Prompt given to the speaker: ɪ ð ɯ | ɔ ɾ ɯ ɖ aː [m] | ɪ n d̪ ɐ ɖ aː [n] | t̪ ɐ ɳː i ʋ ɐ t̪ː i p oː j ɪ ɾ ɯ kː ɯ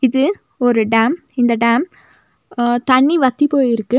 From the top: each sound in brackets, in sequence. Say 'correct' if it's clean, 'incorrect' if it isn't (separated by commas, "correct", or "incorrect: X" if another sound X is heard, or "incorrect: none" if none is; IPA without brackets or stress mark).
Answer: correct, incorrect: m